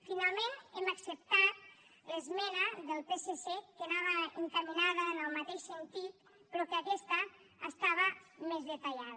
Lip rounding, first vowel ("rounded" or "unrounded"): unrounded